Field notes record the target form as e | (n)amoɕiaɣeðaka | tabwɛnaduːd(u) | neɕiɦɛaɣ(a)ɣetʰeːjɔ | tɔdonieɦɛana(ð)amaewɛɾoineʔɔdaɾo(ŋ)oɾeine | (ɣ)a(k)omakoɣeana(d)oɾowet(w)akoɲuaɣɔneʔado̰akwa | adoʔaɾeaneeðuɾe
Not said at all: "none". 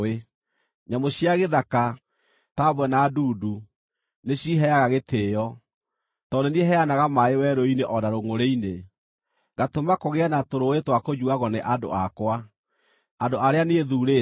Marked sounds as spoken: ɲ, u, a, ɣ, ŋ, ɣ, t, t, w

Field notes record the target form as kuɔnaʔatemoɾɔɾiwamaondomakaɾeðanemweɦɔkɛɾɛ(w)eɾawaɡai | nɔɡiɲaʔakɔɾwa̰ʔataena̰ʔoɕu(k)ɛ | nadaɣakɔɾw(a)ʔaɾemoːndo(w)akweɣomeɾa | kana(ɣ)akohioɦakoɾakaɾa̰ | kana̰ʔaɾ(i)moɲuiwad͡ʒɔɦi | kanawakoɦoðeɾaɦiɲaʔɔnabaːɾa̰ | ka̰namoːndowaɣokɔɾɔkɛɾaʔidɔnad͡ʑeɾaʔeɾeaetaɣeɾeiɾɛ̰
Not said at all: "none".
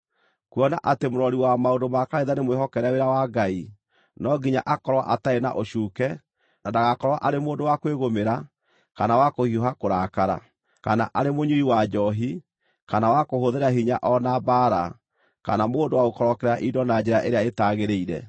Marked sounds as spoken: w, k, a, w, w, e

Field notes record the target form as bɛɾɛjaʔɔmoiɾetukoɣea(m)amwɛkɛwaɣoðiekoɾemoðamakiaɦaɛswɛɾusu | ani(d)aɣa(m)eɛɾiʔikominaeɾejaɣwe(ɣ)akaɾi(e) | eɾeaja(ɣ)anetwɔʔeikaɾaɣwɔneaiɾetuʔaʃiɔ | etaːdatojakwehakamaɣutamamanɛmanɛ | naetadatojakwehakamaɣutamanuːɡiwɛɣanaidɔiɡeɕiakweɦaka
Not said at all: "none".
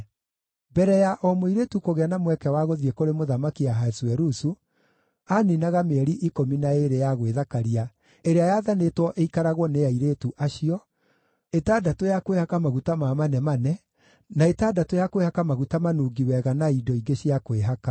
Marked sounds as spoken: n, n, m, ð, a, ð

